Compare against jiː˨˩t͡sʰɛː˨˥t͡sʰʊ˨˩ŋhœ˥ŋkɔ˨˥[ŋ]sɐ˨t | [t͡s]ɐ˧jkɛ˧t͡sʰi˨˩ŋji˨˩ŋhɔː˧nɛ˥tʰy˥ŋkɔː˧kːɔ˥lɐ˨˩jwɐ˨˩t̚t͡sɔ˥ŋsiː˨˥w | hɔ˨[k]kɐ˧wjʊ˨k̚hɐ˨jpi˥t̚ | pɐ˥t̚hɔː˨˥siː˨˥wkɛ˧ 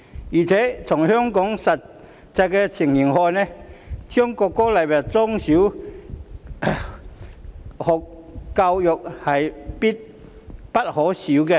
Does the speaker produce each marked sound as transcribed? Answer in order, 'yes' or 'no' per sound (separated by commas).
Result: yes, yes, yes